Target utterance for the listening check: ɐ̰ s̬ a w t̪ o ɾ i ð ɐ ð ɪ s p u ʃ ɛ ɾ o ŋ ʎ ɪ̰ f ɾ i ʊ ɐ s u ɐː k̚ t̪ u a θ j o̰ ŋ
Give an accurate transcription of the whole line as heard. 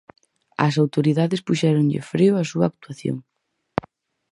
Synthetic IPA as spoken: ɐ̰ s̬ a w t̪ o ɾ i ð a ð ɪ s p u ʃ ɛ ɾ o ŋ ʎ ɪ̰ f ɾ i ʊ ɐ s u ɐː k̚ t̪ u a θ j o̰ ŋ